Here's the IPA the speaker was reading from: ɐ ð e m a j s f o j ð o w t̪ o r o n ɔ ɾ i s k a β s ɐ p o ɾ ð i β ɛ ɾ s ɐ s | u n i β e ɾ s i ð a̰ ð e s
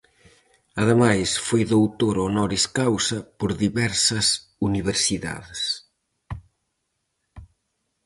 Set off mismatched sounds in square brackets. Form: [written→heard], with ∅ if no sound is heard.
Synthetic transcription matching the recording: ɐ ð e m a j s f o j ð o w t̪ o [r→ɾ] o n ɔ ɾ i s k a [β→w] s ɐ p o ɾ ð i β ɛ ɾ s ɐ s | u n i β e ɾ s i ð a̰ ð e s